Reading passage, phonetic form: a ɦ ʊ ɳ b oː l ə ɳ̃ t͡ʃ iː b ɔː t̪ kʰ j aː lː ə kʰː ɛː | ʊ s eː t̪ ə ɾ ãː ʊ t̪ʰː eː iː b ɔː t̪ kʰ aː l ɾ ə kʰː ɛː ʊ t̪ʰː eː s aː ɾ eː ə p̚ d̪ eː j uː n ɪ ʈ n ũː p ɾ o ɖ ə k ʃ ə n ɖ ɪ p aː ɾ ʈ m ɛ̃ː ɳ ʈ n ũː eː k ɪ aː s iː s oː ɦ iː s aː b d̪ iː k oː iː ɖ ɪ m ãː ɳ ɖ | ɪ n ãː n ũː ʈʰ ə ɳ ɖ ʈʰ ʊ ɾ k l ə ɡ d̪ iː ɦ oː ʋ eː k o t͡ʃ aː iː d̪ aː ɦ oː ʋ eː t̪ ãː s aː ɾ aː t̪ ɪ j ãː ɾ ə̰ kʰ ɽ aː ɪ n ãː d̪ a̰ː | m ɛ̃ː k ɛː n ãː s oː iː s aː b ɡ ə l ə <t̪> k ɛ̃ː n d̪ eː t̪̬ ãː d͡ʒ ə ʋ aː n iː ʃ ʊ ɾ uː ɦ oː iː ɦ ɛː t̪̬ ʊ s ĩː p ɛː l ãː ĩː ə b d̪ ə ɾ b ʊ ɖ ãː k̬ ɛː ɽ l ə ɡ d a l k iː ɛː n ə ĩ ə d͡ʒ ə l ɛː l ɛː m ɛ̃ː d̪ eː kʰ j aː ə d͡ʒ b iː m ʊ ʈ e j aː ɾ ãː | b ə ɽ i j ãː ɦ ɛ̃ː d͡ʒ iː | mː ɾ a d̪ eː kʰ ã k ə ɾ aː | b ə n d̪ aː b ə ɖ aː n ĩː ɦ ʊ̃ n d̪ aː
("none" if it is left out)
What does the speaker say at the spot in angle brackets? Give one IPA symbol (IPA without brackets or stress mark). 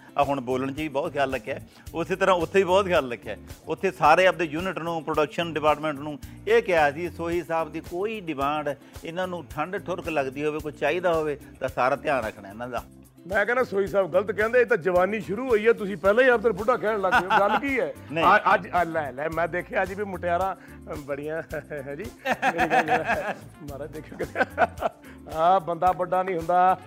t̪